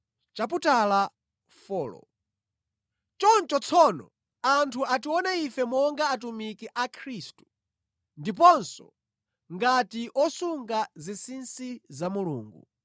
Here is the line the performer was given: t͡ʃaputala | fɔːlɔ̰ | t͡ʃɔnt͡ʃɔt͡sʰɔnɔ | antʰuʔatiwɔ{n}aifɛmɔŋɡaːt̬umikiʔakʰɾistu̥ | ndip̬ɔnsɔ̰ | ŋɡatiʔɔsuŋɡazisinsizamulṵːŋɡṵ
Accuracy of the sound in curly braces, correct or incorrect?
correct